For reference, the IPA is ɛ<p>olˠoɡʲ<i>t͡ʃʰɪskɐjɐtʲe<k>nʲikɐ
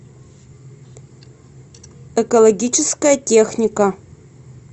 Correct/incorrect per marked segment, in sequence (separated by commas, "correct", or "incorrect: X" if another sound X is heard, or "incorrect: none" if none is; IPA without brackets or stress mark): incorrect: k, correct, incorrect: x